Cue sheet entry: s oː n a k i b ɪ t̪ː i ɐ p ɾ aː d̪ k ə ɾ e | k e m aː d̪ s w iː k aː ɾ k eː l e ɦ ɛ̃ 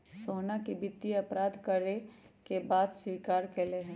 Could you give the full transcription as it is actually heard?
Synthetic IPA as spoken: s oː n a k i b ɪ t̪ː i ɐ p ɾ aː d̪ k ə ɾ e | k e b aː d̪ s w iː k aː ɾ k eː l e ɦ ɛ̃